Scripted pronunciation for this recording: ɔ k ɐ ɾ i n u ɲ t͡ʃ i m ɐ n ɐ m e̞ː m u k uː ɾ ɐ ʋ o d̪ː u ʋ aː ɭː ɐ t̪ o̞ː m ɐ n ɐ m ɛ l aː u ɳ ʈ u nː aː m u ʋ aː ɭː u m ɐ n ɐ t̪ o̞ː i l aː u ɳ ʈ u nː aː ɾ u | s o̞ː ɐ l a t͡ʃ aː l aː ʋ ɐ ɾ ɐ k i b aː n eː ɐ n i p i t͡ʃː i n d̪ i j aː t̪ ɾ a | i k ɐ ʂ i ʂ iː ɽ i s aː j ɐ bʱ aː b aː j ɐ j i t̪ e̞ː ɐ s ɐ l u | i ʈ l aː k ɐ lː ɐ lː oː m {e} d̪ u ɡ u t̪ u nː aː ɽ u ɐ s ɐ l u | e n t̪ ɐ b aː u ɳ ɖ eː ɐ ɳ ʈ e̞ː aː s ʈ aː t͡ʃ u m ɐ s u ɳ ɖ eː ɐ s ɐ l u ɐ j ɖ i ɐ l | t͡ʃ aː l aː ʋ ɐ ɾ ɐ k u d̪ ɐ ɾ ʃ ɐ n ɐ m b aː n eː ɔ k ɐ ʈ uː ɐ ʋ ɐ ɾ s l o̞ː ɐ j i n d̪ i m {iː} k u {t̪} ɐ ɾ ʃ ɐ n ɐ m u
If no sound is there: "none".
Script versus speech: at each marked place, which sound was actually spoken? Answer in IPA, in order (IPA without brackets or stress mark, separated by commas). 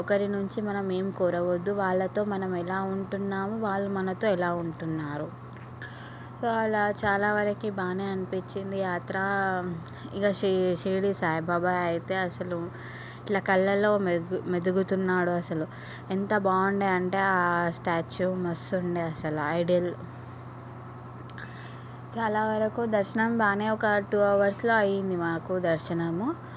e, aː, d̪